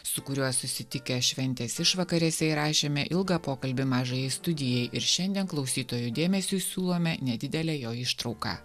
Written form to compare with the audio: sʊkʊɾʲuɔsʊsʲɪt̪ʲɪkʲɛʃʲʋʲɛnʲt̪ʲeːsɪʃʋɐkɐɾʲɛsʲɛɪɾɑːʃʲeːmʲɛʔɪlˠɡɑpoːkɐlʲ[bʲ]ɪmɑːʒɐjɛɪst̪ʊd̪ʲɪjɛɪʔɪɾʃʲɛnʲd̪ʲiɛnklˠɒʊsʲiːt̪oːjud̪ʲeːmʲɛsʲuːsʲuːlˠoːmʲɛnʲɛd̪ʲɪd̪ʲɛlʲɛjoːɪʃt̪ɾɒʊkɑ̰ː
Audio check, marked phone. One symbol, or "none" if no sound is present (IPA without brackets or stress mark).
bʲ